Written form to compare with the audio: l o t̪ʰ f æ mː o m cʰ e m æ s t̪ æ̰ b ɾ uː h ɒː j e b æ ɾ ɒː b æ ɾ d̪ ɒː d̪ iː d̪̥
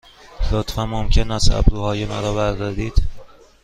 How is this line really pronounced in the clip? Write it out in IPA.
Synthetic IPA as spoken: l o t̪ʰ f æ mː o m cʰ e n æ s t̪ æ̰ b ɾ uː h ɒː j e m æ ɾ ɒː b æ ɾ d̪ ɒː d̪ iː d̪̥